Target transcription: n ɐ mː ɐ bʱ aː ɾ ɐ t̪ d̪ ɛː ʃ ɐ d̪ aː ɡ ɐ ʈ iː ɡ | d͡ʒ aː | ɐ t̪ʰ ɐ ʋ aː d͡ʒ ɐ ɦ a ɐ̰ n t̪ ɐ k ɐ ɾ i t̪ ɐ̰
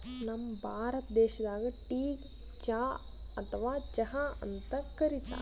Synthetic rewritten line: n ɐ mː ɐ bʱ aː ɾ ɐ t̪ d̪ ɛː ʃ ɐ d̪ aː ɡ ɐ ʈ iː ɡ | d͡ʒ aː | ɐ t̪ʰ ɐ ʋ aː d͡ʒ ɐ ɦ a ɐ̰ n t̪ ɐ k ɐ ɾ i t̪ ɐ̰